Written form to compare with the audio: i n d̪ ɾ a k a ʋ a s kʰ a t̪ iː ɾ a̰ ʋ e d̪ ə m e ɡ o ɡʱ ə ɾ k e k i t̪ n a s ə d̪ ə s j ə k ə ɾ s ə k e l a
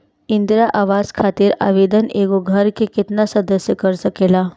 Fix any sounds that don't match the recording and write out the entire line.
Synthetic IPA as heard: i n d̪ ɾ a ʔ a ʋ a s kʰ a t̪ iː ɾ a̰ ʋ e d̪ ə n e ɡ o ɡʱ ə ɾ k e k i t̪ n a s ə d̪ ə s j ə k ə ɾ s ə k e l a